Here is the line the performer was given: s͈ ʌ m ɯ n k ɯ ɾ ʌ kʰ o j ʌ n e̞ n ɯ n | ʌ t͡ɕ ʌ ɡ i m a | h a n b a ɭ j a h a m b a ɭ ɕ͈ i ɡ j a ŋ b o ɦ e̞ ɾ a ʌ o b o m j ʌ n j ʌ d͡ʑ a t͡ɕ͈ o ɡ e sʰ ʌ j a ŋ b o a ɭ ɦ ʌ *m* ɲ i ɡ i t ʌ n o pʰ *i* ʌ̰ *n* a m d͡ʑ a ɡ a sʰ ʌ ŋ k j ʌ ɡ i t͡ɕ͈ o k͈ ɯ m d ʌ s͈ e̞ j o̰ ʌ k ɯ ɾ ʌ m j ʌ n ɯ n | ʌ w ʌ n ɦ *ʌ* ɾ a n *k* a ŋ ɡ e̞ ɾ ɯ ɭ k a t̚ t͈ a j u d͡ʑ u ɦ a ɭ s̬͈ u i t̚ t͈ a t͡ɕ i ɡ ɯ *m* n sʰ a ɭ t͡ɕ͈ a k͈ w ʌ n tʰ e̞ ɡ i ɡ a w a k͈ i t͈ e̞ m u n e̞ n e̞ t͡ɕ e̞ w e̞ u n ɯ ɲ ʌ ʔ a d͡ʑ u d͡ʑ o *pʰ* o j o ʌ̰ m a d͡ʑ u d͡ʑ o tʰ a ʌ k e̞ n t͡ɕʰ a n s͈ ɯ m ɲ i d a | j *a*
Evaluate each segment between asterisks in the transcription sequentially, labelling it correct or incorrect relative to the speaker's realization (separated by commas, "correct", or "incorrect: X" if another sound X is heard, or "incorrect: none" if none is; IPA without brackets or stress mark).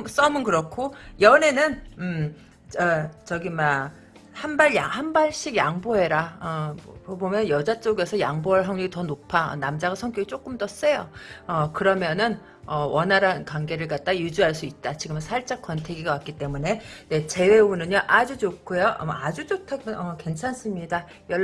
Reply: incorrect: ŋ, incorrect: a, correct, incorrect: a, correct, correct, incorrect: kʰ, incorrect: ʌ